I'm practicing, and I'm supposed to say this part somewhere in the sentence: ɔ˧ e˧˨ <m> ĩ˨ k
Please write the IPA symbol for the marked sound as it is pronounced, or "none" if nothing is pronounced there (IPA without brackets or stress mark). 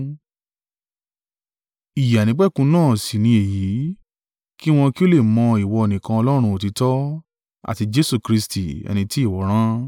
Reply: n